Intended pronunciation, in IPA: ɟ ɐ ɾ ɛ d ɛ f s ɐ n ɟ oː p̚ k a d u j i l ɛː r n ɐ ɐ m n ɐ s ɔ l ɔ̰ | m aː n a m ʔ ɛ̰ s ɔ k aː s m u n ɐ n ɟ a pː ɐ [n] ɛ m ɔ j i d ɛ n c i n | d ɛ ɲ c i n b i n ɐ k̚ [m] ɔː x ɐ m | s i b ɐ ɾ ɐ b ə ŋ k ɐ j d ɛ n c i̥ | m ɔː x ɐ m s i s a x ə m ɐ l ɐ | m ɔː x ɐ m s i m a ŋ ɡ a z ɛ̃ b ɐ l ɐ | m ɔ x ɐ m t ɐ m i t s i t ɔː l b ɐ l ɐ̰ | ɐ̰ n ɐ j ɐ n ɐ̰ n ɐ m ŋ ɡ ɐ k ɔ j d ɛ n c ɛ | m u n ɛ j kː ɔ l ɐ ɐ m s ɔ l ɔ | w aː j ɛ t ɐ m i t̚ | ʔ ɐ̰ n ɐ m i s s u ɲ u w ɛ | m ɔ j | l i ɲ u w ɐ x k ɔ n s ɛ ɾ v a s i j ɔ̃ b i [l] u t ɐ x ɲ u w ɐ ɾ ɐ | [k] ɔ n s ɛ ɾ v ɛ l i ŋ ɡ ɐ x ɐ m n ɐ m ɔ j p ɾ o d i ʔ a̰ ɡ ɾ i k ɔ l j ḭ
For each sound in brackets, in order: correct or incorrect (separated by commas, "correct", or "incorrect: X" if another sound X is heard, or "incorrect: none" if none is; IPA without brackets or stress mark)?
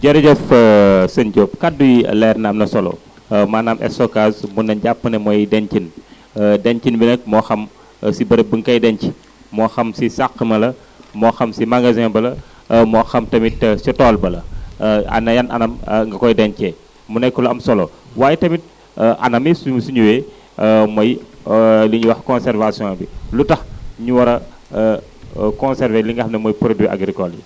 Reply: correct, correct, correct, correct